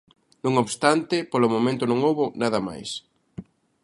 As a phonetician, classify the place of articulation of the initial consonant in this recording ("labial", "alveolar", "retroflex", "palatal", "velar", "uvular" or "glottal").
alveolar